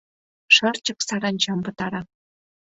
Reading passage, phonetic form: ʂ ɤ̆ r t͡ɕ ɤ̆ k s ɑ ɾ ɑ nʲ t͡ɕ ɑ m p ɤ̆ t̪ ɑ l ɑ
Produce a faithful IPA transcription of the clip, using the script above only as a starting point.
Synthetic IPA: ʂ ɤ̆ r t͡ɕ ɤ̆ k s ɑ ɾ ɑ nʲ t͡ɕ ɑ m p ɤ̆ t̪ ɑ ɾ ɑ